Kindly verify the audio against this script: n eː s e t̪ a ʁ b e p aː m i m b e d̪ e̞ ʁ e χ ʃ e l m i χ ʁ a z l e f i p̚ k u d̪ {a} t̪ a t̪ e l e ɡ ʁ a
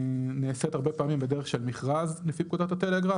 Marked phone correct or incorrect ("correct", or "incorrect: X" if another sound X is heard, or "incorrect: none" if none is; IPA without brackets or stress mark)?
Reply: correct